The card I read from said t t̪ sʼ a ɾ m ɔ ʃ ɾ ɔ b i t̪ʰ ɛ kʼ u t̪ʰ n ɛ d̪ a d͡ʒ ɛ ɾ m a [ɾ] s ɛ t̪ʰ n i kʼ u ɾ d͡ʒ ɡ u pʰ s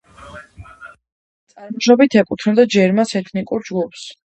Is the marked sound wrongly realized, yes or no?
yes